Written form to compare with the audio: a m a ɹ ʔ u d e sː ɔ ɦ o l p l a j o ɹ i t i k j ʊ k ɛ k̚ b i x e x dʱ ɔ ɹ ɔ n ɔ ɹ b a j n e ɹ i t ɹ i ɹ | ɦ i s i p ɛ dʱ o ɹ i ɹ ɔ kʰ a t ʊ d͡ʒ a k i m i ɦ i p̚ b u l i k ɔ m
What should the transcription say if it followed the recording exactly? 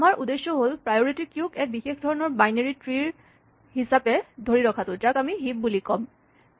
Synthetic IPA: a m a ɹ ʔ u d e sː ɔ ɦ o l p ɹ a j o ɹ i t i k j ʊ k ɛ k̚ b i x e x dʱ ɔ ɹ ɔ n ɔ ɹ b a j n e ɹ i t ɹ i ɹ | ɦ i s a p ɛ dʱ o ɹ i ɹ ɔ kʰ a t ʊ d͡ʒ a k a m i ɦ i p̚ b u l i k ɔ m